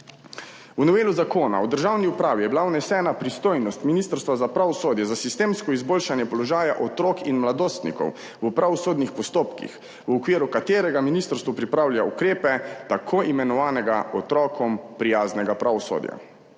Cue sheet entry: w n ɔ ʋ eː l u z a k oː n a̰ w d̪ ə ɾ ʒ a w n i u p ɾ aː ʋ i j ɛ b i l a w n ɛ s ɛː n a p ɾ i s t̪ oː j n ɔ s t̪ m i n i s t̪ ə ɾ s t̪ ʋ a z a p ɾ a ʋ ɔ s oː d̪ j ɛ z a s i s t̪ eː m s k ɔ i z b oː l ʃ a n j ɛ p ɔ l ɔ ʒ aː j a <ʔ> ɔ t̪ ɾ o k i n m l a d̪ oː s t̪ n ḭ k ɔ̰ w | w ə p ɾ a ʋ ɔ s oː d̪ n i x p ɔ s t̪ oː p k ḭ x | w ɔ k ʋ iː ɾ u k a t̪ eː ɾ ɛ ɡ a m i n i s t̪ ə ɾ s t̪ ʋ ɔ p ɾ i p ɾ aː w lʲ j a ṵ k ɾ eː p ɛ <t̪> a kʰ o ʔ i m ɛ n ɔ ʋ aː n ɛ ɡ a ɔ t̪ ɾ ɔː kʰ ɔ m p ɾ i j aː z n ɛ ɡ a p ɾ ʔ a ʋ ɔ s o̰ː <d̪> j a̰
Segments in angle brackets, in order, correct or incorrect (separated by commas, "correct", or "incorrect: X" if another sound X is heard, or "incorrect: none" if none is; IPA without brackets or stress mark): correct, correct, correct